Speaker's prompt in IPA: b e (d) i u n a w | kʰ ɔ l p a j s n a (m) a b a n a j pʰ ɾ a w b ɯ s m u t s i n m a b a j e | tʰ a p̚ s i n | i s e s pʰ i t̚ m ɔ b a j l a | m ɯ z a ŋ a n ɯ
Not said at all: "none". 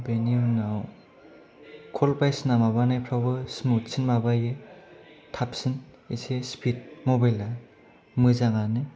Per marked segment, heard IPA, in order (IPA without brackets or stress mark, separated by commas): n, m